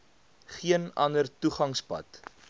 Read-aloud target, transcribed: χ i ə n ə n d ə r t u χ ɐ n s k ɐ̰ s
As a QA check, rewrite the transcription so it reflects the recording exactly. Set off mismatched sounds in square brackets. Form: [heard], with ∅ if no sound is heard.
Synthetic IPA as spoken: χ i ə n [ɐ] n d ə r t u χ ɐ [ŋ] s [p] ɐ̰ [t]